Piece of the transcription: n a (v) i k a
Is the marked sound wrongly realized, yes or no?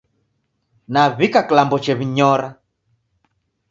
yes